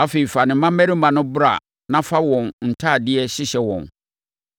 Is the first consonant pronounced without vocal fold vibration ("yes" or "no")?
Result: yes